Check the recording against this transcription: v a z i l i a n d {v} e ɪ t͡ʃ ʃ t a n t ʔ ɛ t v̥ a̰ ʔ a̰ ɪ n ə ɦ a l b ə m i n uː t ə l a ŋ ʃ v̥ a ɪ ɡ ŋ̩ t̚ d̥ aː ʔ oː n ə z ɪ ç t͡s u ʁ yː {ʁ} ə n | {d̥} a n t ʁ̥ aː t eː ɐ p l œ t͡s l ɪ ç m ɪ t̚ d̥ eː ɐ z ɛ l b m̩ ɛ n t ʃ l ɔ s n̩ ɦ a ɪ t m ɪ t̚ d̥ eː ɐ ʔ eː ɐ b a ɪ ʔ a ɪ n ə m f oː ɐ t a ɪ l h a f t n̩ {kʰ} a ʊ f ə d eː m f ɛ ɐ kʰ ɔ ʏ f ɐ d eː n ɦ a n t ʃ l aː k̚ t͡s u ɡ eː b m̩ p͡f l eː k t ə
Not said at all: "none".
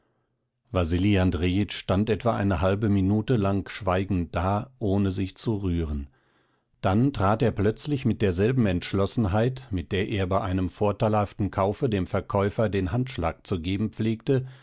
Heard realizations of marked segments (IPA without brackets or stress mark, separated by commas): ʁ, ʁ, d̥, kʰ